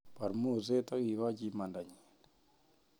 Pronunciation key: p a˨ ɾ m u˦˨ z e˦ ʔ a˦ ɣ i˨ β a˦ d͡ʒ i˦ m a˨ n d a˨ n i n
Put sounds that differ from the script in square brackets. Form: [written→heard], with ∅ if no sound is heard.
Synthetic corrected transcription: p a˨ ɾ m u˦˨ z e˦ [ʔ→t] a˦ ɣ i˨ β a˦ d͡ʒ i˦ m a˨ n d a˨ [n→ɲ] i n